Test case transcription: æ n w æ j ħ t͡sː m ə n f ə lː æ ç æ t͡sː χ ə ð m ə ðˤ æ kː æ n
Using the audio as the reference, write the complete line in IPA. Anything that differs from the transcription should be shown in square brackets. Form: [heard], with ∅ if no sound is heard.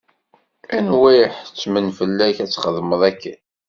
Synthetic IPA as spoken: æ n w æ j ħ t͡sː m ə n f ə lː æ ç æ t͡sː χ ə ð m ə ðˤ æ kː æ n